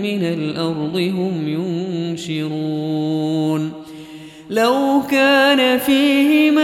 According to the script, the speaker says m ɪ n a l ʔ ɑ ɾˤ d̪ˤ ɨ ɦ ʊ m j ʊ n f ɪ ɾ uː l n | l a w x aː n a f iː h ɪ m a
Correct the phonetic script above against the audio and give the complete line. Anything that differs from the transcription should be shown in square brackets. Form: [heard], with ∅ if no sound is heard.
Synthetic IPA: m ɪ n a l ʔ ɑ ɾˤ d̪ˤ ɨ ɦ ʊ m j ʊ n [ʃ] ɪ ɾ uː [∅] n | l a w [k] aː n a f iː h ɪ m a